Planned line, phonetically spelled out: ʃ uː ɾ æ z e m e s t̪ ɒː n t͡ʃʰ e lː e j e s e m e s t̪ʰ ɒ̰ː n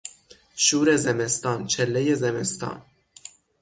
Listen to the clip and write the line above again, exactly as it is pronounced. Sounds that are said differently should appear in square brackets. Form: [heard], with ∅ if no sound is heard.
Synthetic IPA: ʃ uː ɾ [e] z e m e s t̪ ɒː n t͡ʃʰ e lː e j e [z] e m e s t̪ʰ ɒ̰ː n